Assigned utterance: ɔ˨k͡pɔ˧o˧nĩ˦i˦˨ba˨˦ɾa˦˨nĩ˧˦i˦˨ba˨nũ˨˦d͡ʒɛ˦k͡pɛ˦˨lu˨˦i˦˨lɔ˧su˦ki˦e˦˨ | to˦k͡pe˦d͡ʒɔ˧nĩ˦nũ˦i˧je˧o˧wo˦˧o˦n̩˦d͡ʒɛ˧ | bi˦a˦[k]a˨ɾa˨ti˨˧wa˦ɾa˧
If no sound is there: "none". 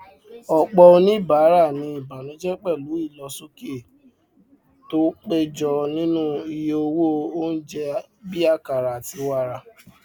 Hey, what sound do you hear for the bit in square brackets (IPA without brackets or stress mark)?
k